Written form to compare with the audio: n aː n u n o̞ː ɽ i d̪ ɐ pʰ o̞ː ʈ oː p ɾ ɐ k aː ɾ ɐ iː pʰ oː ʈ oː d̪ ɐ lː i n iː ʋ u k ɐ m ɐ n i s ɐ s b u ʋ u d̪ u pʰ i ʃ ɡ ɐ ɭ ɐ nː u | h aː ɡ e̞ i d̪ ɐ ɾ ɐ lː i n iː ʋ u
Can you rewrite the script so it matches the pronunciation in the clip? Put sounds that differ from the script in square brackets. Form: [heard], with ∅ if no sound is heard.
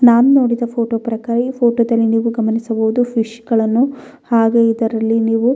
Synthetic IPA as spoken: n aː n u n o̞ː ɽ i d̪ ɐ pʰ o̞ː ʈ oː p ɾ ɐ k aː ɾ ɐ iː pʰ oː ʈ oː d̪ ɐ lː i n iː ʋ u [ɡ] ɐ m ɐ n i s ɐ [∅] b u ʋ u d̪ u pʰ i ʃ ɡ ɐ ɭ ɐ nː u | h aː ɡ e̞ i d̪ ɐ ɾ ɐ lː i n iː ʋ u